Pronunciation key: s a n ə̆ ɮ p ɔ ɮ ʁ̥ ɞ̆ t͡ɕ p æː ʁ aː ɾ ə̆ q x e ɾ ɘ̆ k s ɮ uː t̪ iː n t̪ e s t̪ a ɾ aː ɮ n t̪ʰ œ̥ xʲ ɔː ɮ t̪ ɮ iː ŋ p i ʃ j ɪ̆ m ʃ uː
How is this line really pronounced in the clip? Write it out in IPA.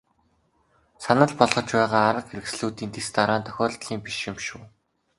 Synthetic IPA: s a n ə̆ ɮ p ɔ ɮ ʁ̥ ɞ̆ t͡ɕ p æː ʁ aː ɾ ə̆ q x e ɾ ɘ̆ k s ɮ uː t̪ iː n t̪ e s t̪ a ɾ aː n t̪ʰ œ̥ xʲ ɔː ɮ t̪ ɮ iː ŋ p i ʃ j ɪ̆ m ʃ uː